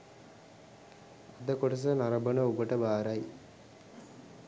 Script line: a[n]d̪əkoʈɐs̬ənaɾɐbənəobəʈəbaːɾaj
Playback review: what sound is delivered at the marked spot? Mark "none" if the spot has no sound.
none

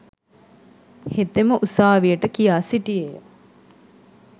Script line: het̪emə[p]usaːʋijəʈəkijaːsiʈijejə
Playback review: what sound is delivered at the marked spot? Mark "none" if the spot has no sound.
ʔ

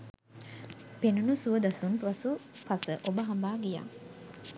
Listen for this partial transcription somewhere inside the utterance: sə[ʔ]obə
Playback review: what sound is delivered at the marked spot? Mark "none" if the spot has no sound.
ʔ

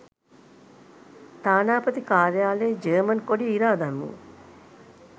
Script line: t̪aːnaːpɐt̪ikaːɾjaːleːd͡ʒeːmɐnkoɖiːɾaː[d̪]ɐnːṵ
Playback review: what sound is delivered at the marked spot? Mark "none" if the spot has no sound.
d̪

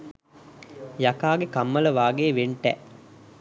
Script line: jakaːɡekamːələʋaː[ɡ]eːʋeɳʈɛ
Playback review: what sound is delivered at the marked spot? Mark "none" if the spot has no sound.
ɡ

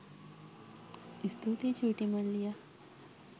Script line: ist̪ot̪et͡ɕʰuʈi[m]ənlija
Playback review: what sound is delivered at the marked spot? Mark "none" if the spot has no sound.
m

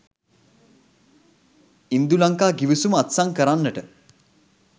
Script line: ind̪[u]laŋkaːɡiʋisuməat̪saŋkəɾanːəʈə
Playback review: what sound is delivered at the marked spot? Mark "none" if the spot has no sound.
u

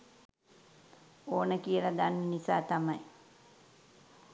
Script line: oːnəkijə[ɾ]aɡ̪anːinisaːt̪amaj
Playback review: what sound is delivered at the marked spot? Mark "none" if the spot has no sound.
l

